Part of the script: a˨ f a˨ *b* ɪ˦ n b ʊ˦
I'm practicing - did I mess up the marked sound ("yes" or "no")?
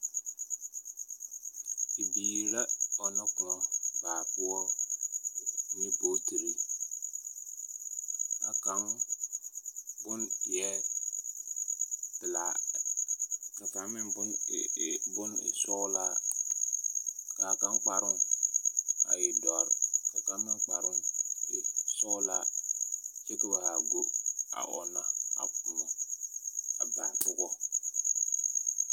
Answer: yes